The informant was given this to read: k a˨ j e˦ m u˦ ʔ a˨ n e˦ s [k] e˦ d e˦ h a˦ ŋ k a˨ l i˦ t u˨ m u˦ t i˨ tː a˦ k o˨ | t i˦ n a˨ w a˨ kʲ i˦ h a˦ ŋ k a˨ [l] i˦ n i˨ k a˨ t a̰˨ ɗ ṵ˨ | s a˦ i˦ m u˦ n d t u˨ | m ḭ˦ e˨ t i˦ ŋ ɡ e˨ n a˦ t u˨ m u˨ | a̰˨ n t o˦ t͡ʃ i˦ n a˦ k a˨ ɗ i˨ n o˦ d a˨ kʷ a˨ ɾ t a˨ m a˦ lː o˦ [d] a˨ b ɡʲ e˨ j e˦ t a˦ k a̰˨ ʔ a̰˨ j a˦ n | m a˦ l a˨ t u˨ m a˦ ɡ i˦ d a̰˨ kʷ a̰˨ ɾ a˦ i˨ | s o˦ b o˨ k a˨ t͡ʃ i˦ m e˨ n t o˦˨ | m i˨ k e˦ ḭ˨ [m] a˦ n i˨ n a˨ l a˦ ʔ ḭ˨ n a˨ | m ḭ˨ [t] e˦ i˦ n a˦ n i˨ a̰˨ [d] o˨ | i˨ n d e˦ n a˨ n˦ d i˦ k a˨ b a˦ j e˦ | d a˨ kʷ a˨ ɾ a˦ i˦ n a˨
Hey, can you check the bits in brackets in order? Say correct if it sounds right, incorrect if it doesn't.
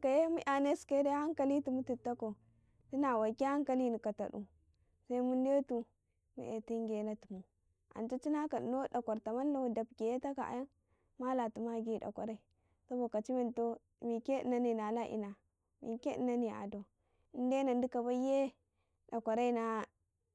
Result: correct, correct, correct, incorrect: n, incorrect: k, correct

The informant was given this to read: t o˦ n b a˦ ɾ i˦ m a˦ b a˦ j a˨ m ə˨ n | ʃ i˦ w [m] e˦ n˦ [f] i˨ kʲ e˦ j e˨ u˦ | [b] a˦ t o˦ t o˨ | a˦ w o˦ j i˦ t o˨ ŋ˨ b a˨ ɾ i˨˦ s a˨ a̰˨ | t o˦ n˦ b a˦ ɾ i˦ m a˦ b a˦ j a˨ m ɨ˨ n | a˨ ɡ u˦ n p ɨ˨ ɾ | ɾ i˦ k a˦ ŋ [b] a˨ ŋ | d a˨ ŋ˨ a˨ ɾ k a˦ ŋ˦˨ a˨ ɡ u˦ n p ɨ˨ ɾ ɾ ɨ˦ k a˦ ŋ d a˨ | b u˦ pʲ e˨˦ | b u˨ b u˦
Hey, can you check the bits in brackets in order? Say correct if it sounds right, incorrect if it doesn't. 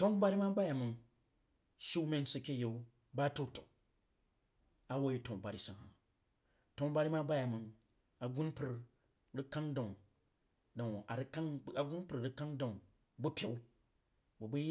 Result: correct, incorrect: s, correct, incorrect: d

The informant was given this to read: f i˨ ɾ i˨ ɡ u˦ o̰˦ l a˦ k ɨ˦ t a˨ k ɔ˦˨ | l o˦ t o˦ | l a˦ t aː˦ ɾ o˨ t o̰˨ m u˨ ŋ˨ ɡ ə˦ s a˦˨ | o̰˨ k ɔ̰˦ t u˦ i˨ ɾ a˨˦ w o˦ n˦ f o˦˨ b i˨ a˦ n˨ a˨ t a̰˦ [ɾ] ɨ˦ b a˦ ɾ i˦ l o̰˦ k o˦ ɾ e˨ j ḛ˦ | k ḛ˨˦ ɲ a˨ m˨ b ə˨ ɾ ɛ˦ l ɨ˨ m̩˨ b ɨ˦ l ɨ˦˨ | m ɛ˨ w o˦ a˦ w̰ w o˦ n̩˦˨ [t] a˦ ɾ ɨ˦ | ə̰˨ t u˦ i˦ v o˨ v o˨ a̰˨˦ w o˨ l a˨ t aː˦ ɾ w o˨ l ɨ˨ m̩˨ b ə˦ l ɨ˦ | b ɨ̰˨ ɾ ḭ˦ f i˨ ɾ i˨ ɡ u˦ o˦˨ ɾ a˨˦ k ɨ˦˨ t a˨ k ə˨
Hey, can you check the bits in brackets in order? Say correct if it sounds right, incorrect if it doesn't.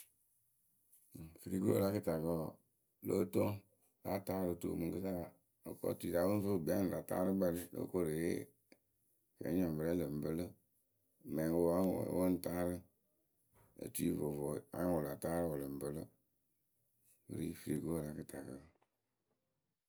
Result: correct, correct

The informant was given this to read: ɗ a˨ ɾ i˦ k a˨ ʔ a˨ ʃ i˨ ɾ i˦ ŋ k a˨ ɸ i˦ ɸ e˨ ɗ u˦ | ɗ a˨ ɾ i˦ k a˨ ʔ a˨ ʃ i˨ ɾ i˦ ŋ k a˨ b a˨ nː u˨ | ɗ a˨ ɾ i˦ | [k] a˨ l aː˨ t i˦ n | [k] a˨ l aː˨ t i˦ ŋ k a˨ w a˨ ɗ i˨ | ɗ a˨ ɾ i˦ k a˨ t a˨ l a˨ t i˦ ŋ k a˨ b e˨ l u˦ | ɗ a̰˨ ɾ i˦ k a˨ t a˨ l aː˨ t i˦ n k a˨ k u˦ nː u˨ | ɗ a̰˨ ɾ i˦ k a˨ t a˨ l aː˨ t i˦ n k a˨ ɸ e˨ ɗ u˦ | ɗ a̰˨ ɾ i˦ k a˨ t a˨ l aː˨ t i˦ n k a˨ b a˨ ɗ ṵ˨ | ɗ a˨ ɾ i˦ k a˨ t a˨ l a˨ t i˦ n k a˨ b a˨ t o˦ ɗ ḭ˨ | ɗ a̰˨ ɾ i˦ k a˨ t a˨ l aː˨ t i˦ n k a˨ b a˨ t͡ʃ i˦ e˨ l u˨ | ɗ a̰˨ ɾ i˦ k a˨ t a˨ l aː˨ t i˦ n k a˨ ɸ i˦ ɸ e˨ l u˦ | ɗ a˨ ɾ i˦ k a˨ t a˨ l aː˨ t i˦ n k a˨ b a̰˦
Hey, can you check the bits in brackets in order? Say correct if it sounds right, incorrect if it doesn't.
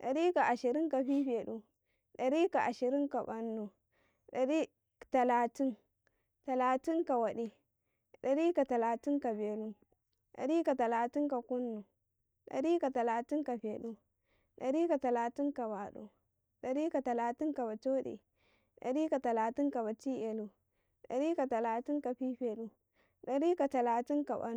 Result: incorrect: t, incorrect: t

